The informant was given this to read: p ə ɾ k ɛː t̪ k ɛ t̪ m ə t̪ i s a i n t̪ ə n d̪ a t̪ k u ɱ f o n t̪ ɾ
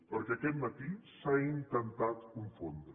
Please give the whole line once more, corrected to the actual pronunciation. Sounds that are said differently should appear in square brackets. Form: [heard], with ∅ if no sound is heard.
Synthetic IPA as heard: p ə ɾ k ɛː [∅] k ɛ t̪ m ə t̪ i s a i n t̪ ə n [t̪] a t̪ k u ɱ f o n [d̪] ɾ

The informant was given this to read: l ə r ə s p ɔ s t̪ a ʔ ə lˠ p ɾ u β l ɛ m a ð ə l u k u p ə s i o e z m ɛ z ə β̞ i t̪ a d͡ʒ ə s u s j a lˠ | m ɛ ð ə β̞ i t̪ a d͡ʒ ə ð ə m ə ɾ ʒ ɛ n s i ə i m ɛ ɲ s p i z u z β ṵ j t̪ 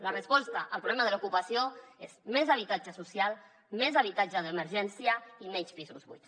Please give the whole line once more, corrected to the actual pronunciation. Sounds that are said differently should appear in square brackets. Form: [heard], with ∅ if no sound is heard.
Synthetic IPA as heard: l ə r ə s p ɔ s t̪ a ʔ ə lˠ p ɾ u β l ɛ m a ð ə l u k u p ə s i o e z m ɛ z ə β̞ i t̪ a d͡ʒ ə s u s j a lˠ | m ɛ [z] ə β̞ i t̪ a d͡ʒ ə ð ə m ə ɾ ʒ ɛ n s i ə i m ɛ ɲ s p i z u z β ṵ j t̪

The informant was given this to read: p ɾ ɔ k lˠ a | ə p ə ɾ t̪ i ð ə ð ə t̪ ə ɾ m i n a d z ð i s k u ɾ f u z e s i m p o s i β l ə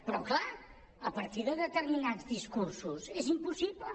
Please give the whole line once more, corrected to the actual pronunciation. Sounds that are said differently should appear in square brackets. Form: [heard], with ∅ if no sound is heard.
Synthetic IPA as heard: p ɾ ɔ k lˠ a | ə p ə ɾ t̪ i ð ə ð ə t̪ ə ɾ m i n a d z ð i s k u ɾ [s] u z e [z] i m p [u] s i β l ə

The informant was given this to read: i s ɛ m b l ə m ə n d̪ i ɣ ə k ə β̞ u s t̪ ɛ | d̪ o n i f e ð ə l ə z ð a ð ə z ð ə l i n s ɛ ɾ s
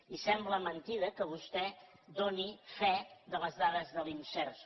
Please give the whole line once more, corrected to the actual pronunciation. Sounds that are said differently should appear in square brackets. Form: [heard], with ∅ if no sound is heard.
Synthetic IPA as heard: i s ɛ m b l ə m ə n [t̪] i [ð] ə k ə β̞ u s t̪ ɛ | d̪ o n i f [ɛ] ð ə l ə z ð a ð ə z ð ə l i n s ɛ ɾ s

